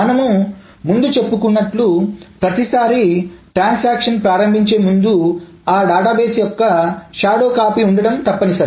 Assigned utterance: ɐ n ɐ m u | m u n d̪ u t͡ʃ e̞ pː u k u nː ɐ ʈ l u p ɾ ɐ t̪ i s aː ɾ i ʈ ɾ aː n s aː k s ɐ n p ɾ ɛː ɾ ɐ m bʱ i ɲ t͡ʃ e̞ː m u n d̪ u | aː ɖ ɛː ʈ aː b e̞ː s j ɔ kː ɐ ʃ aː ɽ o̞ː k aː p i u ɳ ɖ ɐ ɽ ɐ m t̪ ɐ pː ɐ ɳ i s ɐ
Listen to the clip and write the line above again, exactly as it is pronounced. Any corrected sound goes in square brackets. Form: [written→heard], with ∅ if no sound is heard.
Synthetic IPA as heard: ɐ n ɐ m u | m u n d̪ u t͡ʃ e̞ pː u k u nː ɐ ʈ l u p ɾ ɐ t̪ i s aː ɾ i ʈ ɾ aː n s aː k [s→ʂ] ɐ n p ɾ [ɛː→aː] ɾ ɐ m bʱ i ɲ t͡ʃ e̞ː m u n d̪ u | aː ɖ [ɛː→aː] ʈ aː b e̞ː s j ɔ kː ɐ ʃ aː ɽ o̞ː k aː p i u ɳ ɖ ɐ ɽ ɐ m t̪ ɐ pː ɐ [ɳ→n] i s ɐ